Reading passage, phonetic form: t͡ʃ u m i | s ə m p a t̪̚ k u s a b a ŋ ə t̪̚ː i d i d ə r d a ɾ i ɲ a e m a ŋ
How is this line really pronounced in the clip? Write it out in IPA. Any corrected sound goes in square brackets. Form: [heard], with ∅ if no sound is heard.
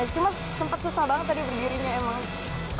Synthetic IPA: t͡ʃ u m [a] | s ə m p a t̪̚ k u s a b a ŋ ə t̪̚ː [a] d i [b] ə r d [i] ɾ i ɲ a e m a ŋ

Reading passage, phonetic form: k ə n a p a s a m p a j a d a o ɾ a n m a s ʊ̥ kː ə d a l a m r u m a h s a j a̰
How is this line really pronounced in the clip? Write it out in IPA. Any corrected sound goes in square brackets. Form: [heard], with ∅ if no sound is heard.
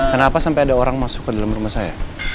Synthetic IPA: k ə n a p a s a m p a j a d a o ɾ a [ŋ] m a s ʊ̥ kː ə d a l a m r u m a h s a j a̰

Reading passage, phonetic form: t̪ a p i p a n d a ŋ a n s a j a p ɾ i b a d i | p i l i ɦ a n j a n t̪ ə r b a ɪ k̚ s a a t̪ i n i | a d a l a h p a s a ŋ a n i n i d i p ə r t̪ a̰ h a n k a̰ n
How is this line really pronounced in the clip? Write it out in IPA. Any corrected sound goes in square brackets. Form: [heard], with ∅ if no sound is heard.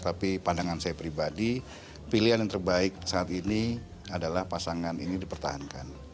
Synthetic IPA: t̪ a p i p a n d a ŋ a n s a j a p ɾ i b a d i | p i l i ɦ a n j a [ŋ] t̪ ə r b a ɪ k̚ s a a t̪ i n i | a d a l a h p a s a ŋ a n i n i d i p ə r t̪ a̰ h a n k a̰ n

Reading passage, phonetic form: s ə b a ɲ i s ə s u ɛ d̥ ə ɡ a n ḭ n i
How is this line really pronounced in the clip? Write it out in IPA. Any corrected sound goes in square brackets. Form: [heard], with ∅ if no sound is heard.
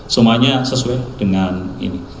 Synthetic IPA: s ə [m] a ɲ [a] s ə s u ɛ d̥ ə [ŋ] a n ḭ n i

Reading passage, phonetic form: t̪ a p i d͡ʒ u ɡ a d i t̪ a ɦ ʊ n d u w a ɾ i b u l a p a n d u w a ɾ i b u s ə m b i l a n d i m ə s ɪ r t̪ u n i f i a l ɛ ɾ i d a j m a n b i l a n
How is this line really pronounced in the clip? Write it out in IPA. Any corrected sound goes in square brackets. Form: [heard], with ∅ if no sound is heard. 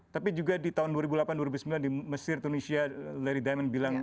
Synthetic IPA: t̪ a p i d͡ʒ u ɡ a d i t̪ a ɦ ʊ n d u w a ɾ i b u l a p a n d u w a ɾ i b u s ə m b i l a n d i m ə s ɪ r t̪ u n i [s] i a l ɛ ɾ i d a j m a n b i l a [ŋ]

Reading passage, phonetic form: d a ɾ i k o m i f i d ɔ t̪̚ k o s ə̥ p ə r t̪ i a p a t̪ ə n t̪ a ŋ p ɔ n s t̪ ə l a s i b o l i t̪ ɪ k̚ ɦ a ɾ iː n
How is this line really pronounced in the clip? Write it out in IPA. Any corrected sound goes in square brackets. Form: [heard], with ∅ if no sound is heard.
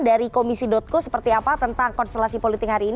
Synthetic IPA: d a ɾ i k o m i [s] i d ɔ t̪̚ k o s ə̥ p ə r t̪ i a p a t̪ ə n t̪ a ŋ [k] ɔ n s t̪ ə l a s i [p] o l i t̪ ɪ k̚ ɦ a ɾ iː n

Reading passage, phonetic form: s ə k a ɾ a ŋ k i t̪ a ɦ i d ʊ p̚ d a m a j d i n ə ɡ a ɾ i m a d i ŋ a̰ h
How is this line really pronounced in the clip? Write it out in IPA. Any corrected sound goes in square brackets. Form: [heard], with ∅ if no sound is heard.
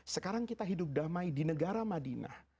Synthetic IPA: s ə k a ɾ a ŋ k i t̪ a ɦ i d ʊ p̚ d a m a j d i n ə ɡ a ɾ [a] m a d i [n] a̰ h

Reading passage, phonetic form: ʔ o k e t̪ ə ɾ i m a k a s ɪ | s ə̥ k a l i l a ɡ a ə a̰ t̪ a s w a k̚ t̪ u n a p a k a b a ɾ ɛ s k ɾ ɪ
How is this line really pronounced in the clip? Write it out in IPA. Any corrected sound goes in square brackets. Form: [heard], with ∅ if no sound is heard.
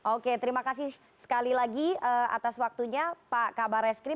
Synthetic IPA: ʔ o k e t̪ ə ɾ i m a k a s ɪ | s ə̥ k a l i l a ɡ [i] ə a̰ t̪ a s w a k̚ t̪ u [ɲ] a p a k a b a ɾ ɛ s k ɾ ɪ

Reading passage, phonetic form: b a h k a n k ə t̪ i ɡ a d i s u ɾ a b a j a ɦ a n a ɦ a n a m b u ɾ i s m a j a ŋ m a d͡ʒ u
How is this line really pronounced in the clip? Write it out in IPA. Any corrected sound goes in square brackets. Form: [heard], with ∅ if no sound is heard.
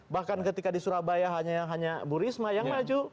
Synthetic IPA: b a h k a n k ə t̪ i [k] a d i s u ɾ a b a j a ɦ a [ɲ] a ɦ a [ɲ] a [∅] b u ɾ i s m a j a ŋ m a d͡ʒ u

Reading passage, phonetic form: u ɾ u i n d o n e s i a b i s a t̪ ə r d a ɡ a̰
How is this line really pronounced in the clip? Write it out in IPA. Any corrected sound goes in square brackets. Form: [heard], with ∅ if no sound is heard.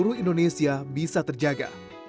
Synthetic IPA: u ɾ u i n d o n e s i a b i s a t̪ ə r [d͡ʒ] a ɡ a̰

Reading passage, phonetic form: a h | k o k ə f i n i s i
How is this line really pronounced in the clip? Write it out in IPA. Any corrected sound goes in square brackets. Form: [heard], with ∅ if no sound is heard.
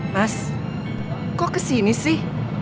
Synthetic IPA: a [s] | k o k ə [s] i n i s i

